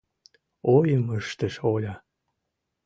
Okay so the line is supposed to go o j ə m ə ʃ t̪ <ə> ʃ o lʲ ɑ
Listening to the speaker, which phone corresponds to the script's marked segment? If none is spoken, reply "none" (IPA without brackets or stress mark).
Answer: ə